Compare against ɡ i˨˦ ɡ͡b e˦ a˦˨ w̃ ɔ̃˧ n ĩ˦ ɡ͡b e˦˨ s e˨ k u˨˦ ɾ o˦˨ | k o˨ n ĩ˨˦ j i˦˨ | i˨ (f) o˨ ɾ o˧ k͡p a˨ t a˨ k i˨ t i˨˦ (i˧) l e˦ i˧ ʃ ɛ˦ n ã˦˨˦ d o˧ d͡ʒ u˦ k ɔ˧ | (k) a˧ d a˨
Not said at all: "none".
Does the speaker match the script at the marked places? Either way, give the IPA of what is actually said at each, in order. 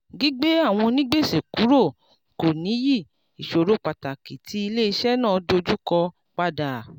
ʃ, i˧, k͡p

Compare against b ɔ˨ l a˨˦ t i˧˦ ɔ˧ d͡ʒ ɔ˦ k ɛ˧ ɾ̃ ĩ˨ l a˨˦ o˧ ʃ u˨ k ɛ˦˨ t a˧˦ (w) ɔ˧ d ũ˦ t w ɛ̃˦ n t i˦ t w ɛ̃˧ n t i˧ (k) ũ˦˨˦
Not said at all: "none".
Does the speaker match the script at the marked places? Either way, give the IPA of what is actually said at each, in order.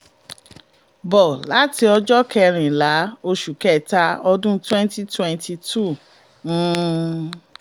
none, t

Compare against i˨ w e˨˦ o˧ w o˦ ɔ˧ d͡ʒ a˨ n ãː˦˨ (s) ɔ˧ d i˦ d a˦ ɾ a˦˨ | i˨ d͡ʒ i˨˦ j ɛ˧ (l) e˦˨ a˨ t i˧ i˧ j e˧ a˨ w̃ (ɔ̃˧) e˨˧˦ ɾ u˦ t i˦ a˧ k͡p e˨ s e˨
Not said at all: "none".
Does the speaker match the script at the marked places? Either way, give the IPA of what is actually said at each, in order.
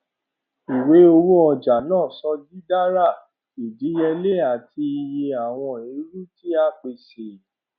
s, l, ɔ̃˧

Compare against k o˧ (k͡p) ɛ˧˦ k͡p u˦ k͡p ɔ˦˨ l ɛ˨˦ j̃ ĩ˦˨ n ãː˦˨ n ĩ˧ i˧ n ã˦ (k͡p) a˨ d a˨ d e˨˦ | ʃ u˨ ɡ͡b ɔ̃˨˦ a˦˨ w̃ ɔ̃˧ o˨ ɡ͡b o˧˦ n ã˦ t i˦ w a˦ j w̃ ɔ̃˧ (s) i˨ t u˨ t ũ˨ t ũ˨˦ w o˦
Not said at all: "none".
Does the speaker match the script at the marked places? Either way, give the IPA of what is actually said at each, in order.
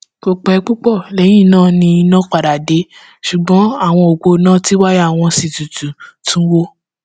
k͡p, k͡p, s

